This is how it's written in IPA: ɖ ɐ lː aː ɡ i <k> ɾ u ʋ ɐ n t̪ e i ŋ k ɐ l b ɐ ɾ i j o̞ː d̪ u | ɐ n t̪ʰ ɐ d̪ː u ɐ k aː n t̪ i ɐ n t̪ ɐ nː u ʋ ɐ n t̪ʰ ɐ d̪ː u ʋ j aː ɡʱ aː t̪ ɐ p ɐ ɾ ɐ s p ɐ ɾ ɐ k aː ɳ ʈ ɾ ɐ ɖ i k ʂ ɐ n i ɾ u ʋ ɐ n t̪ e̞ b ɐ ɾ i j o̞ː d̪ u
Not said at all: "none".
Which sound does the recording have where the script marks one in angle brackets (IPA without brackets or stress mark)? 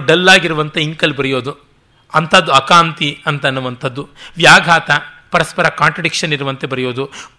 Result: none